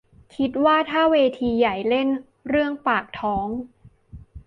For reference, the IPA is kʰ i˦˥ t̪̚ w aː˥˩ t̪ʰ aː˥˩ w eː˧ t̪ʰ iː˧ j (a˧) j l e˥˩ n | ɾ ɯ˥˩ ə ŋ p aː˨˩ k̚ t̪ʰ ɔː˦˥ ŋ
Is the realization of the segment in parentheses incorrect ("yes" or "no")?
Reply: yes